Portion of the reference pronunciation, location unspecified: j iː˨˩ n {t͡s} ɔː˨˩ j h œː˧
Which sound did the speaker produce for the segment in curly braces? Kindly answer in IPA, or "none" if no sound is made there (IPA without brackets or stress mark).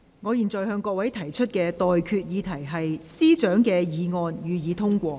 t͡s